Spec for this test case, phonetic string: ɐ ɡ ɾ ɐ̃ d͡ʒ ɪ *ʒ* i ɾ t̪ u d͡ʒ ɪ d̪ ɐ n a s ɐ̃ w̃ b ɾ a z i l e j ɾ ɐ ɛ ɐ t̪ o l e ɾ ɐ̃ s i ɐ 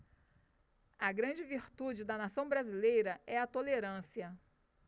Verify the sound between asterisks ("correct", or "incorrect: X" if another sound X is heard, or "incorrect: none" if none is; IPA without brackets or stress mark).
incorrect: v